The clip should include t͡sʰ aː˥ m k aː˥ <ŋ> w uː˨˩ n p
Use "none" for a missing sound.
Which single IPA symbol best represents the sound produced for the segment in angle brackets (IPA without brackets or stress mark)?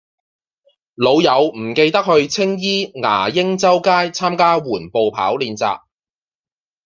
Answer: none